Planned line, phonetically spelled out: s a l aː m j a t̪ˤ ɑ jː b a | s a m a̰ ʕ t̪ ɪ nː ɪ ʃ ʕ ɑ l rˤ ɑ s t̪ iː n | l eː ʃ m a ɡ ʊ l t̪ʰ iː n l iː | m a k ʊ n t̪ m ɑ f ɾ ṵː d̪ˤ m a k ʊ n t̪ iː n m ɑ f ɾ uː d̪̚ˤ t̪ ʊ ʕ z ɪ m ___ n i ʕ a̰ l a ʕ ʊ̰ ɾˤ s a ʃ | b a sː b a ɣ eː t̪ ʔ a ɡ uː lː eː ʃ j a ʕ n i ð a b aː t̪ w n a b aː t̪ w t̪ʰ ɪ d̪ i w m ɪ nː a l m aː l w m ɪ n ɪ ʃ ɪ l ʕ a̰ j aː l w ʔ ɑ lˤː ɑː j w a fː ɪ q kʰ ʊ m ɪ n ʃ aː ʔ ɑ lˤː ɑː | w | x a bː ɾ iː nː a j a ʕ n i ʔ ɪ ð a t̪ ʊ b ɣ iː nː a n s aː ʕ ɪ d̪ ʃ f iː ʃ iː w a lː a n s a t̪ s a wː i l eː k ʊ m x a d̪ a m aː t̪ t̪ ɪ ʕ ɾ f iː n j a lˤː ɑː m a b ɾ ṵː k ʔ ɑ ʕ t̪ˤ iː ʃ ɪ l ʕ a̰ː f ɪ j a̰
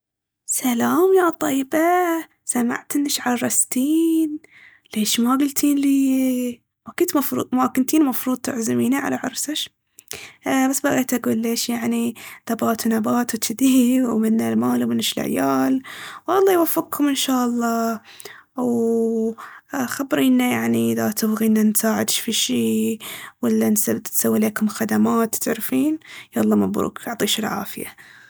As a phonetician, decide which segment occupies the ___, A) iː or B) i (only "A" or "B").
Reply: A